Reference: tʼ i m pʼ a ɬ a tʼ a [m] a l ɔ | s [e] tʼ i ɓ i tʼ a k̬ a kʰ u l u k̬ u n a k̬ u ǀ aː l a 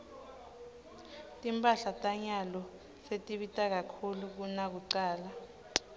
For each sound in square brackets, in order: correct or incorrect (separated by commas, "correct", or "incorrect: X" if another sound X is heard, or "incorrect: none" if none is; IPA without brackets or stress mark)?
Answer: incorrect: ɲ, correct